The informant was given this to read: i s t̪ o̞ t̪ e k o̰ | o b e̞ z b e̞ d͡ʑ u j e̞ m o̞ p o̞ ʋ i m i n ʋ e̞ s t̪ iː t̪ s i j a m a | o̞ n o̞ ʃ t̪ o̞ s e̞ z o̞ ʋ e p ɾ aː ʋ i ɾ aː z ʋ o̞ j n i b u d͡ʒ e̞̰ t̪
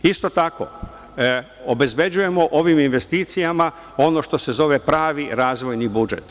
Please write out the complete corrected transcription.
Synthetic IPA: i s t̪ o̞ t̪ a k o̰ | o b e̞ z b e̞ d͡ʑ u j e̞ m o̞ ʔ o̞ ʋ i m i n ʋ e̞ s t̪ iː t̪ s i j a m a | o̞ n o̞ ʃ t̪ o̞ s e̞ z o̞ ʋ e p ɾ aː ʋ i ɾ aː z ʋ o̞ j n i b u d͡ʒ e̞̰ t̪